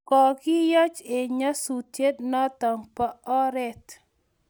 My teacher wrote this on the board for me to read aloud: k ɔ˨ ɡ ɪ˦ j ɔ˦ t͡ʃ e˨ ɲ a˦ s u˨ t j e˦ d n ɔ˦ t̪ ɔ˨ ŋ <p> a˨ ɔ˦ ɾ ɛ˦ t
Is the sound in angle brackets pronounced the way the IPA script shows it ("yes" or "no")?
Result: yes